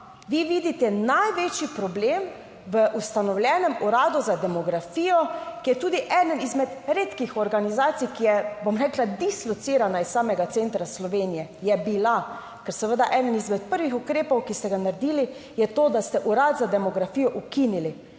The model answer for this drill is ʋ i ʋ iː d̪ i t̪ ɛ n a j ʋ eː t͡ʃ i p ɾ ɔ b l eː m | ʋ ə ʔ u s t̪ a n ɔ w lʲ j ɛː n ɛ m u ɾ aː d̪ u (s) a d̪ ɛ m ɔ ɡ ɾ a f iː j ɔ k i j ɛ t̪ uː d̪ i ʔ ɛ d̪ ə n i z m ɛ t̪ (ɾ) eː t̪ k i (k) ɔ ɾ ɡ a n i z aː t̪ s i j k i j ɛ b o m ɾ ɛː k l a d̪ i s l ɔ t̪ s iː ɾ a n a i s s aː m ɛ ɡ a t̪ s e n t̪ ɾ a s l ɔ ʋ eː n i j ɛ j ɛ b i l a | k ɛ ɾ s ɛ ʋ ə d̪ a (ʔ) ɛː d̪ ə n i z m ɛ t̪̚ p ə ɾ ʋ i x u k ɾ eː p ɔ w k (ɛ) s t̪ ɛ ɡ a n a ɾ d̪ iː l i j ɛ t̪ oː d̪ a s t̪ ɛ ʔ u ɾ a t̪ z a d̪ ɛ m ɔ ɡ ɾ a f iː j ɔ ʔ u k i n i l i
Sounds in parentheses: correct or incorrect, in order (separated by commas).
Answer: incorrect, correct, incorrect, correct, incorrect